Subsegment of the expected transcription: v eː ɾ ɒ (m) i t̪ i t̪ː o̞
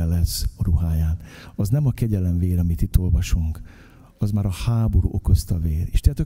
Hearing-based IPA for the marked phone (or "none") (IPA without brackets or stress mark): m